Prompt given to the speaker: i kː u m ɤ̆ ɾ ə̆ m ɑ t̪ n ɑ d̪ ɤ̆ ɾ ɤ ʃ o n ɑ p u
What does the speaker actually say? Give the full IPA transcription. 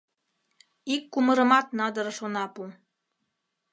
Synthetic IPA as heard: i kː u m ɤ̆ ɾ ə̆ m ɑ t̪ n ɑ d̪ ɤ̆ ɾ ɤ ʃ o n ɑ p u